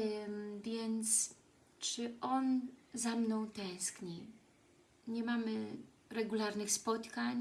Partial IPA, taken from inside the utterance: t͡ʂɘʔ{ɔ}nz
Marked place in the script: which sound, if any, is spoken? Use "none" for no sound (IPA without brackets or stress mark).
ɔ